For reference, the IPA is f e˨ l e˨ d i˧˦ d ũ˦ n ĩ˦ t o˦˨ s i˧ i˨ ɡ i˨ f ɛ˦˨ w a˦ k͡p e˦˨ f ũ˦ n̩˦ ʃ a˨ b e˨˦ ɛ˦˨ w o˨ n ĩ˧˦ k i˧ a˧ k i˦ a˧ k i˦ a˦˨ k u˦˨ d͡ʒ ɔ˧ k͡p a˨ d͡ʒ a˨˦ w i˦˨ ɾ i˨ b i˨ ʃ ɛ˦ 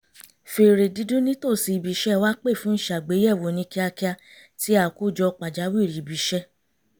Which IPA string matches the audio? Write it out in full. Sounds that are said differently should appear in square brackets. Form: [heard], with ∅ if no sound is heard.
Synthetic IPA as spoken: f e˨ [ɾ] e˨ d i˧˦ d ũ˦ n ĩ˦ t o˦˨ s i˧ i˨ [b] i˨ [ʃ] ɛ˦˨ w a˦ k͡p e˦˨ f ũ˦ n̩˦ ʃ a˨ [ɡ͡b] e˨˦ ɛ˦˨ w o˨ n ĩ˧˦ k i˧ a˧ k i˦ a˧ [t] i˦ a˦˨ k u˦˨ d͡ʒ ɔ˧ k͡p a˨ d͡ʒ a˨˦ w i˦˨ ɾ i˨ b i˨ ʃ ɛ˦